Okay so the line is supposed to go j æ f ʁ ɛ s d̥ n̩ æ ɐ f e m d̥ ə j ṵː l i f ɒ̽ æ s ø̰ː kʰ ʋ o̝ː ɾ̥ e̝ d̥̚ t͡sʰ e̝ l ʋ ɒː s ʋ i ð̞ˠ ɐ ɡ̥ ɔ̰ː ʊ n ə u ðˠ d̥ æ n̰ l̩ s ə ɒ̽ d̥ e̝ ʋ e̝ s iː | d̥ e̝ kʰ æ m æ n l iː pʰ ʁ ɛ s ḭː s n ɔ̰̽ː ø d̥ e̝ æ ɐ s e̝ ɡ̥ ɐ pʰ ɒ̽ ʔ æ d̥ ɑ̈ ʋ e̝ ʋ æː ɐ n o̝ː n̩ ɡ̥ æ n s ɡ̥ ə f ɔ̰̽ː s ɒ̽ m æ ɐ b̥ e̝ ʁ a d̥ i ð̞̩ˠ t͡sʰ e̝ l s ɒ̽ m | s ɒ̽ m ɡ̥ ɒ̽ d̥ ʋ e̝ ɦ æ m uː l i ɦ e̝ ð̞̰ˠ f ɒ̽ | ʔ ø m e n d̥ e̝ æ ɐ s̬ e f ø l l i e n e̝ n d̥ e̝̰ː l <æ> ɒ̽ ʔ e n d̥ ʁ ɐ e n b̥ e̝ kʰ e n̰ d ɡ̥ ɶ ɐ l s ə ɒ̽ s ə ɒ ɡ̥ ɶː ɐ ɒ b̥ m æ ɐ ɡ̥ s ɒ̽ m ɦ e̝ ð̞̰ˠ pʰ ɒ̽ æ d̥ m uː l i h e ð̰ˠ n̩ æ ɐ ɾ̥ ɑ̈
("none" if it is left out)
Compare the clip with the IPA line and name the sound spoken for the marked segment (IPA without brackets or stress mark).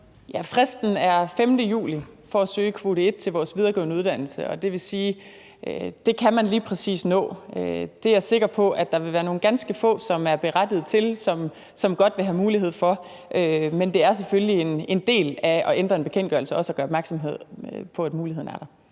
æ